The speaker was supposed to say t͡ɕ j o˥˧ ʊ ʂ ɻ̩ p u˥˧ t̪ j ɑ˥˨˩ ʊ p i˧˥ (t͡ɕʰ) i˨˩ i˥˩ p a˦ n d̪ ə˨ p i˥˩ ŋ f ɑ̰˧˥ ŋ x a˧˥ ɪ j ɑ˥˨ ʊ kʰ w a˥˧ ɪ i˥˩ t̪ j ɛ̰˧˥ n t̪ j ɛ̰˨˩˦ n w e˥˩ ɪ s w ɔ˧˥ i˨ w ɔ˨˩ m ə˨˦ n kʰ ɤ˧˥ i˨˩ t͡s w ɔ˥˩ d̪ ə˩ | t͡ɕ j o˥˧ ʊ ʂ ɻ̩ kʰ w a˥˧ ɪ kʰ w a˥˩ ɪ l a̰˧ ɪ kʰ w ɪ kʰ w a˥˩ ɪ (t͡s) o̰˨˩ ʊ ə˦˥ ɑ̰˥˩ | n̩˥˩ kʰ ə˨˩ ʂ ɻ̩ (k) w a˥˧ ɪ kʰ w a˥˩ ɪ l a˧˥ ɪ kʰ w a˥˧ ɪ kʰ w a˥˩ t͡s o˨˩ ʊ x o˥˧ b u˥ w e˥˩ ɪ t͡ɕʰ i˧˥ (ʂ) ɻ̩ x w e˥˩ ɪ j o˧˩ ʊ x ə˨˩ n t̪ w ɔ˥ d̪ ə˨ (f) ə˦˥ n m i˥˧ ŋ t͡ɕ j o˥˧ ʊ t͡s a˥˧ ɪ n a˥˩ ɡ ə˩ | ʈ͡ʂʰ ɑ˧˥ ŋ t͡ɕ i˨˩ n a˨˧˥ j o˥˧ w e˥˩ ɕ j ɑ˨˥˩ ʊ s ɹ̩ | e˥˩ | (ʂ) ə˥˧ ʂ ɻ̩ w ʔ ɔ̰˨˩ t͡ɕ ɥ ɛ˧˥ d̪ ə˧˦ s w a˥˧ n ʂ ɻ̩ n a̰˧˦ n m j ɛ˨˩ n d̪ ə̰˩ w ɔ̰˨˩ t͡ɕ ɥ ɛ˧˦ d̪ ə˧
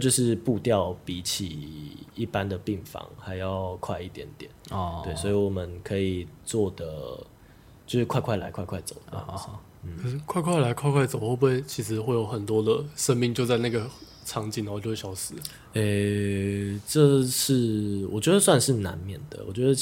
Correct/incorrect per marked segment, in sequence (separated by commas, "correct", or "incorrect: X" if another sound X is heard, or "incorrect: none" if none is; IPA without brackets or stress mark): correct, correct, incorrect: kʰ, correct, incorrect: ʂ, incorrect: ʈ͡ʂ